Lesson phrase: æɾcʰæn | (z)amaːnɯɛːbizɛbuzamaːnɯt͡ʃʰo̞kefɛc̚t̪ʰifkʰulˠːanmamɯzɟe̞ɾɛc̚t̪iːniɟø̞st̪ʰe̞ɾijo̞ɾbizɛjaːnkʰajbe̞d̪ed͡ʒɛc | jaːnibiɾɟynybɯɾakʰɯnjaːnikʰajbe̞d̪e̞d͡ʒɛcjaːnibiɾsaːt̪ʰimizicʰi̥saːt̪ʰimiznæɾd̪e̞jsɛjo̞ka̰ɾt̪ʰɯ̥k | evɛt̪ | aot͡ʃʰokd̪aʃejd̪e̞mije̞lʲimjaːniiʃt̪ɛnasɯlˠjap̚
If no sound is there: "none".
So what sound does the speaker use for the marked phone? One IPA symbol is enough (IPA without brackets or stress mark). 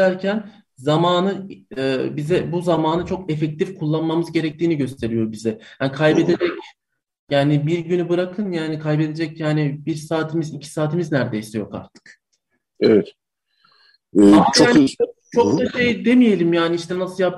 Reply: z